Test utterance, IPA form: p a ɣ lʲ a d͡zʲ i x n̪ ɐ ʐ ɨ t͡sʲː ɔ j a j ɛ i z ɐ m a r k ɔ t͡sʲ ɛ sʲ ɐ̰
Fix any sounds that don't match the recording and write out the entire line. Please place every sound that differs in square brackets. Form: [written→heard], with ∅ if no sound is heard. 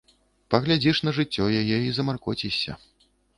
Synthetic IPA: p [a→ɐ] ɣ lʲ a d͡zʲ i [x→ʂ] n̪ ɐ ʐ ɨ t͡sʲː ɔ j a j ɛ i z ɐ m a r k ɔ t͡sʲ [ɛ→i] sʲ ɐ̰